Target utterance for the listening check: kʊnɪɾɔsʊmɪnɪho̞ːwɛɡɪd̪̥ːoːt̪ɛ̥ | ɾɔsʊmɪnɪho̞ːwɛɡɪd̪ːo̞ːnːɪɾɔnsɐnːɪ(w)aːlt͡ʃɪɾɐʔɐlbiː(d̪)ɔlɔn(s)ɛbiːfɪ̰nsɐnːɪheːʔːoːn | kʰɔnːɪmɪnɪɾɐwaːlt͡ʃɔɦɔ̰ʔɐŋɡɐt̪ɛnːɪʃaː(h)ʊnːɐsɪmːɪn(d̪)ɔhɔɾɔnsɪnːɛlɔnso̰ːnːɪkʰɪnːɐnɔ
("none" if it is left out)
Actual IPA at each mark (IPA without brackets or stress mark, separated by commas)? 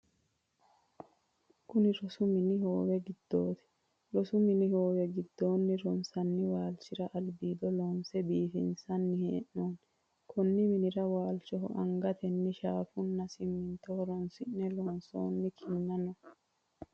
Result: w, d̪, s, f, t̪